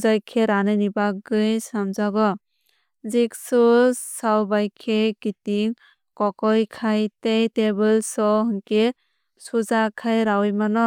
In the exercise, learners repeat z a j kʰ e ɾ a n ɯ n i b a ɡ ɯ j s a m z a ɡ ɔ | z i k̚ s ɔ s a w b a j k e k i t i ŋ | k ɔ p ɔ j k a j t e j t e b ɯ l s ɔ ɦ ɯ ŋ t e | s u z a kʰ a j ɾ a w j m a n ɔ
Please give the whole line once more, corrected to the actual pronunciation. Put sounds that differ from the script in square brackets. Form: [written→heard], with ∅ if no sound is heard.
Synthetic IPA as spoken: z a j kʰ e ɾ a n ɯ n i b a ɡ ɯ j s a m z a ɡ ɔ | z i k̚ s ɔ s a w b a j [k→kʰ] e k i t i ŋ | k ɔ [p→k] ɔ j [k→kʰ] a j t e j t e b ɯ l s ɔ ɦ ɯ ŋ [t→k] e | s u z a kʰ a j ɾ a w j m a n ɔ